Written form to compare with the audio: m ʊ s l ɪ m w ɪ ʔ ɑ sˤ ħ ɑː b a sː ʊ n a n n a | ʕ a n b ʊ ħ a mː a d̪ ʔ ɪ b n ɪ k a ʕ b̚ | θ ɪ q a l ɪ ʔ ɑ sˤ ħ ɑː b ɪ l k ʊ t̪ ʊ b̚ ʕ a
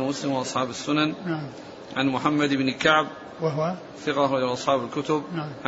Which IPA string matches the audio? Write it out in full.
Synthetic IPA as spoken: m ʊ s l ɪ m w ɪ ʔ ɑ sˤ ħ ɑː b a sː ʊ n a n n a | ʕ a n m ʊ ħ a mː a d̪ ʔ ɪ b n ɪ k a ʕ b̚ | θ ɪ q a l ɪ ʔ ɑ sˤ ħ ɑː b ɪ l k ʊ t̪ ʊ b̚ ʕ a